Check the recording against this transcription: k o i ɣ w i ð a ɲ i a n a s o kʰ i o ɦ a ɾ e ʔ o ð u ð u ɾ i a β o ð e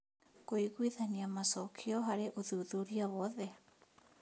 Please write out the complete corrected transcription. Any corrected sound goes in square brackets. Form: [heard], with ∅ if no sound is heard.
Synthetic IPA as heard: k o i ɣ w i ð a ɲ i a [m] a s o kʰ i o ɦ a ɾ e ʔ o ð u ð u ɾ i a β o ð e